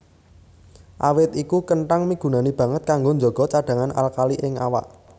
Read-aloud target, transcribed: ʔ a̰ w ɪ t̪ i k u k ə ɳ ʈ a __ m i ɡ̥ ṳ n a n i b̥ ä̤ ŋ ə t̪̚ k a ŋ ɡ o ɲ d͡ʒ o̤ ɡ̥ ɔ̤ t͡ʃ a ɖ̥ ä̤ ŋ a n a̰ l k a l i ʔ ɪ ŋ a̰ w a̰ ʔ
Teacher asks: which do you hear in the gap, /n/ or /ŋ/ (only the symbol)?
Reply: ŋ